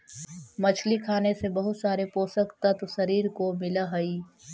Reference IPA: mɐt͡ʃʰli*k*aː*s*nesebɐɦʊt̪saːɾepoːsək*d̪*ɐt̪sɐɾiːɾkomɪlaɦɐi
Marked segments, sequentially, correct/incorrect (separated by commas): incorrect, incorrect, incorrect